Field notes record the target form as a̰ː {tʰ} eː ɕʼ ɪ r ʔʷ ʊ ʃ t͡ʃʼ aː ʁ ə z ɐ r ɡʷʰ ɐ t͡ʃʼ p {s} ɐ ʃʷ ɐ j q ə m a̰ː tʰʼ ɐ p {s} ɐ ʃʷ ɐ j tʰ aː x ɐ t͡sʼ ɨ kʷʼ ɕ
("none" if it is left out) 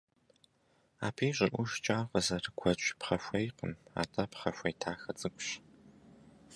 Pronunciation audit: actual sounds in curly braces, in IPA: pʰ, χ, χ

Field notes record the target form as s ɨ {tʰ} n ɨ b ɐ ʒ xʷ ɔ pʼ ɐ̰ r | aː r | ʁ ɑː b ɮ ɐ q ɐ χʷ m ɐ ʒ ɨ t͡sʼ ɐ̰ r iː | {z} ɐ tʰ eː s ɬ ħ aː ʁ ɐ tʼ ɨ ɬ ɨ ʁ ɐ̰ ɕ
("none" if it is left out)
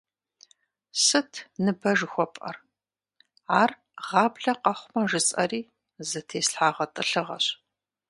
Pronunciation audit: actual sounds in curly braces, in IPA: tʰ, z

